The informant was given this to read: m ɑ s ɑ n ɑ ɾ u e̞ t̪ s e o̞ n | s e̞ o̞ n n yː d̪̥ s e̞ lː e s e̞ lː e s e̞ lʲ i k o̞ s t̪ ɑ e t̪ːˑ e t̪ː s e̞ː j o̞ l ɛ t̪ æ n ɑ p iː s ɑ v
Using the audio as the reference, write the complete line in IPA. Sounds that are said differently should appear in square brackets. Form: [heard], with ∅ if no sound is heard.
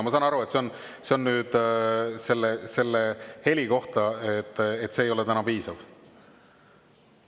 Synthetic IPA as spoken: m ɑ s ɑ n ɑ ɾ u e̞ t̪ s e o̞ n | s e̞ o̞ n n yː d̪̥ s e̞ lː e s e̞ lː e [h] e̞ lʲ i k o̞ [h] t̪ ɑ e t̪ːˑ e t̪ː s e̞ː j o̞ l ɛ t̪ æ n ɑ p iː s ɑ v

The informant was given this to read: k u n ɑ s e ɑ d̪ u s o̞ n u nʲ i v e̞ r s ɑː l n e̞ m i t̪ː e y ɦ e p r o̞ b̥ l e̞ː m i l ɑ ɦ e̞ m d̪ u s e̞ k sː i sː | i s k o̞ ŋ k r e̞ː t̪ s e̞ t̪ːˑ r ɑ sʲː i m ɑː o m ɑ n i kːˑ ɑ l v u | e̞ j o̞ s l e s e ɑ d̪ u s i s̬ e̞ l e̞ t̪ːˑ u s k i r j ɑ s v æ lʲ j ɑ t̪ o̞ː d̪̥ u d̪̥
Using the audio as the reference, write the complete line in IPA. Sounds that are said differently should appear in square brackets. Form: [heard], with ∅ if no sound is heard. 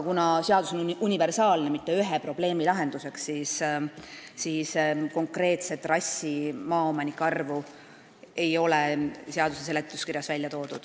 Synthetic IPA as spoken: k u n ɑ s e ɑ d̪ u s o̞ n u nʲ i v e̞ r s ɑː l n e̞ m i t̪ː e y ɦ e p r o̞ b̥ l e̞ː m i l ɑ ɦ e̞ [n] d̪ u s e̞ k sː i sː | i s k o̞ ŋ k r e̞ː t̪ s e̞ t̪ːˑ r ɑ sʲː i m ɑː o m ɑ n i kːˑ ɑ [r] v u | e̞ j o̞ [∅] l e s e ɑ d̪ u s [e] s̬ e̞ l e̞ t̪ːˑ u s k i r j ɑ s v æ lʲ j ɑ t̪ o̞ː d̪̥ u d̪̥

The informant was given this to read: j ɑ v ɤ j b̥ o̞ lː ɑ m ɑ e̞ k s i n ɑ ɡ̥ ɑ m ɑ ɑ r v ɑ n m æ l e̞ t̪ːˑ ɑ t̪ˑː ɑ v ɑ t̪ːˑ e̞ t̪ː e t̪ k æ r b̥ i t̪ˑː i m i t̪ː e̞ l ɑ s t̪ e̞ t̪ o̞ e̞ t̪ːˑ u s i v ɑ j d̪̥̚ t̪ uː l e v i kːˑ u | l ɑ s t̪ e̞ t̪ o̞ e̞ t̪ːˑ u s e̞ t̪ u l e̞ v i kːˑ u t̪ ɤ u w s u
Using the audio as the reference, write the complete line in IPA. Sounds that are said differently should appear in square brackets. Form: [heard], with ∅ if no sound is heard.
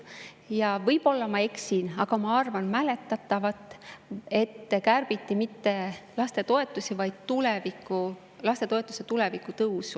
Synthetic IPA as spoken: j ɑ v ɤ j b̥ o̞ lː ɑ m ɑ e̞ k s i n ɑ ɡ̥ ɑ m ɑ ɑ r v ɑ n m æ l e̞ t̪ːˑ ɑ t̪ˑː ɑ v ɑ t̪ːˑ e̞ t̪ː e [∅] k æ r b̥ i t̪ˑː i m i t̪ː e̞ l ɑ s t̪ e̞ t̪ o̞ e̞ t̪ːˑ u s i v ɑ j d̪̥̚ t̪ [u] l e v i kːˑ u | l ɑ s t̪ e̞ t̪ o̞ e̞ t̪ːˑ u s e̞ t̪ u l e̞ v i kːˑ u t̪ ɤ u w s u

